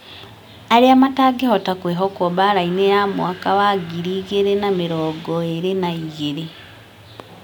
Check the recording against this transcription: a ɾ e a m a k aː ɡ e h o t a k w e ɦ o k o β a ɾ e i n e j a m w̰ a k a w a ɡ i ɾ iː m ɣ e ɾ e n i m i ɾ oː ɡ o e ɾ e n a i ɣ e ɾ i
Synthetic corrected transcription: a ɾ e a m a t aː ɡ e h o t a k w e ɦ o k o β a ɾ a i n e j a m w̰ a k a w a ɡ i ɾ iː ɣ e ɾ e n a m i ɾ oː ɡ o e ɾ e n a i ɣ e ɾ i